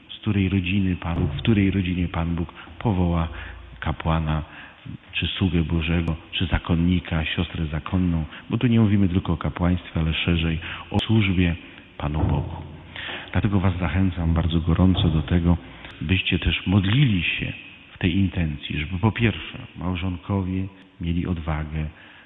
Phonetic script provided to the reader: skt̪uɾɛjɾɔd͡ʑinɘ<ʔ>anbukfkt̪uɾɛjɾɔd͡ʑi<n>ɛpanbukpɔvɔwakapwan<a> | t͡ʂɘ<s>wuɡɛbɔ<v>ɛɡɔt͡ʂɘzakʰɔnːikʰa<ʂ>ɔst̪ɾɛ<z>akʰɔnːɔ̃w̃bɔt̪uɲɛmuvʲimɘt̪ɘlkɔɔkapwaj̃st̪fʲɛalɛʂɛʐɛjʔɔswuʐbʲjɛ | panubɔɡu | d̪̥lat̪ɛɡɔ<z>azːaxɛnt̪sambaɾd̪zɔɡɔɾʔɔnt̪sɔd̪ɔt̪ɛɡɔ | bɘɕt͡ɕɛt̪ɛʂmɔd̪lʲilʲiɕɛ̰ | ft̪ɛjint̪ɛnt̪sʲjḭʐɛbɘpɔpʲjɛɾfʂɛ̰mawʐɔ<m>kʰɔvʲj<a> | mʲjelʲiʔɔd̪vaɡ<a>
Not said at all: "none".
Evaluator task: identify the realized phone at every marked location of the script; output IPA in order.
p, ɲ, a, s, ʐ, ɕ, z, v, ŋ, ɛ, ɛ

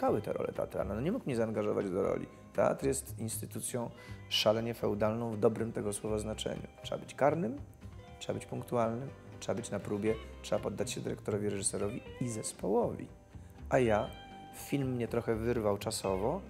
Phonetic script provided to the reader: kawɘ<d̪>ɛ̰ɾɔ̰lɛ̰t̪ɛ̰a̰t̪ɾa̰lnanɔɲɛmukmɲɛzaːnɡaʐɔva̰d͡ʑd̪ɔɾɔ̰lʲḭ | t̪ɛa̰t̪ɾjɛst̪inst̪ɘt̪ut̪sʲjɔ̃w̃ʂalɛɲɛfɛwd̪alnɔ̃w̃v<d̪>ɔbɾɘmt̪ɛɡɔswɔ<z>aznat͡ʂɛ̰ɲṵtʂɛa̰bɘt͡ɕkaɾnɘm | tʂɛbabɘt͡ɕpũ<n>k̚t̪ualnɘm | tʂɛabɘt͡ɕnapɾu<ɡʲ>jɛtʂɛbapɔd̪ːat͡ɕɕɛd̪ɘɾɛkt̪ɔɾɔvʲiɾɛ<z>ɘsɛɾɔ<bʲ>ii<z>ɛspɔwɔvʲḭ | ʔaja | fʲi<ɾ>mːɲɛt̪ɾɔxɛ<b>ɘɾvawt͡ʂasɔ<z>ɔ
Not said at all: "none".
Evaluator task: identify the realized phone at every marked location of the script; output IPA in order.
t̪, d̪, v, ŋ, bʲ, ʐ, vʲ, z, l, v, v

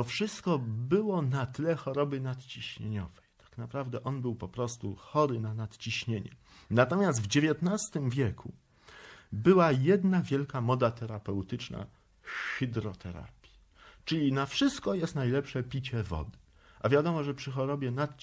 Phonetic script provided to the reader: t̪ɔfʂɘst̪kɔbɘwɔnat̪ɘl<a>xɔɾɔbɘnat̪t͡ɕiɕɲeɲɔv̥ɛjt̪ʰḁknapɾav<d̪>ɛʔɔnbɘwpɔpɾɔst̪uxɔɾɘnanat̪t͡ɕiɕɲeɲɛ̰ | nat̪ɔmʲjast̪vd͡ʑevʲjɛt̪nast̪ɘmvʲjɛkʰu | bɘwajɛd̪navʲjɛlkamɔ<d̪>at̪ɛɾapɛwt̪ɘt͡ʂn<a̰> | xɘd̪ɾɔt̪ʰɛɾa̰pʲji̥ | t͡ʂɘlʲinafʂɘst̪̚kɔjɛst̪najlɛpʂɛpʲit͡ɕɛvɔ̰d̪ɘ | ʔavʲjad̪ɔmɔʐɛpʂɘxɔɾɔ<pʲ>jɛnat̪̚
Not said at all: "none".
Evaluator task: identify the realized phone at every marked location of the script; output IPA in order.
ɛ, d̪, d̪, a̰, bʲ

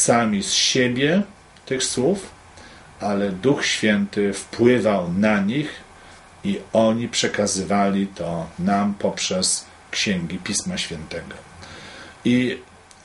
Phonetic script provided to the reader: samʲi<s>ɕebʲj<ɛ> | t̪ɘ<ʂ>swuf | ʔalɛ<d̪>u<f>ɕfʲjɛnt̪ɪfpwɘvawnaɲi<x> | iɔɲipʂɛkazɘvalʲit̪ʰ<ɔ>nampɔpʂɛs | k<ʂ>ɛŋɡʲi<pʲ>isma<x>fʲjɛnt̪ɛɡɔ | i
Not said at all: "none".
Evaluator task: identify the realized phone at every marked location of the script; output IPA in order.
s, ɛ, x, d̪, x, x, ɔ, ɕ, pʲ, ɕ

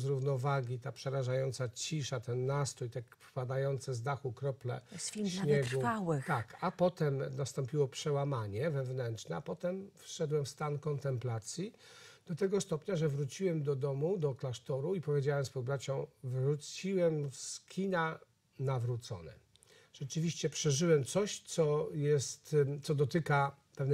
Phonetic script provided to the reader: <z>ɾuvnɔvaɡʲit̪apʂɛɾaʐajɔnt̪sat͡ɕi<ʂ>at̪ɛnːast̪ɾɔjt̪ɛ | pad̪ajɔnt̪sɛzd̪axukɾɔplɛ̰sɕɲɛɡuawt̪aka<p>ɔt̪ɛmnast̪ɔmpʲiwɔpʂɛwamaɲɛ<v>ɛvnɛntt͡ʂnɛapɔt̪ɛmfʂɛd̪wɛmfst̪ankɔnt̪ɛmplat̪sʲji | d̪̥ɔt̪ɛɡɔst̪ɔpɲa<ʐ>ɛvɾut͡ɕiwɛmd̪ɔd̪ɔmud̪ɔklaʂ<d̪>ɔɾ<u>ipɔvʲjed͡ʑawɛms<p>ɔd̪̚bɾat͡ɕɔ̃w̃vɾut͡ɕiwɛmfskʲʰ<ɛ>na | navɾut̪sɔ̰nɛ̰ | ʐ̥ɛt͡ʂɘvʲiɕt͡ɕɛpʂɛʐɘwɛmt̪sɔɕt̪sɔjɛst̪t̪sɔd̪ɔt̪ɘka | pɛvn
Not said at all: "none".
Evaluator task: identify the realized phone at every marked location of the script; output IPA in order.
z, ʂ, p, v, ʐ, t̪, u, p, i

